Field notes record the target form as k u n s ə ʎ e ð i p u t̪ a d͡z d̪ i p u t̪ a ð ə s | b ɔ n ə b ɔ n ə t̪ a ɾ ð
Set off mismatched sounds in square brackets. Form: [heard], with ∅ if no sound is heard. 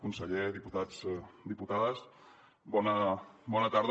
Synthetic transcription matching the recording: k u n s ə ʎ e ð i p u t̪ a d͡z d̪ i p u t̪ a ð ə s | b ɔ n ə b ɔ n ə t̪ a ɾ ð